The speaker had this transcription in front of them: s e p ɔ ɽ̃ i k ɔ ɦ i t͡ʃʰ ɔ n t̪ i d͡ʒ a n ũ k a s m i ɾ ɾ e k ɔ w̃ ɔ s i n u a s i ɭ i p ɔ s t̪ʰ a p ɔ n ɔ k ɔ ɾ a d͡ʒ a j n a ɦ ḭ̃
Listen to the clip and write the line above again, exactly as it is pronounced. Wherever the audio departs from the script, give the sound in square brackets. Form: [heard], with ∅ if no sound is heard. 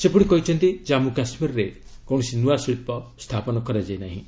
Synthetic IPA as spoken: s e p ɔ ɽ̃ i k ɔ ɦ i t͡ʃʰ ɔ n t̪ i d͡ʒ a [m] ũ k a s m i ɾ ɾ e k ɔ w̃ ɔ s i n u a s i ɭ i p ɔ s t̪ʰ a p ɔ n ɔ k ɔ ɾ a d͡ʒ a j n a ɦ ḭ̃